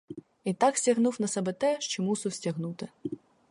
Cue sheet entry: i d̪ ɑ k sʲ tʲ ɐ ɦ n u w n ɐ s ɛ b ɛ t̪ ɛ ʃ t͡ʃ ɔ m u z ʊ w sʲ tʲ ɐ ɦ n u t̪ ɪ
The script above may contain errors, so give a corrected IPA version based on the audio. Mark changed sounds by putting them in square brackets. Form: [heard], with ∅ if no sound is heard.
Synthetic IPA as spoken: i [t̪] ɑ k sʲ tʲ ɐ ɦ n u w n ɐ s ɛ b ɛ t̪ ɛ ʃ t͡ʃ ɔ m u [s] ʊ w sʲ tʲ ɐ ɦ n u t̪ ɪ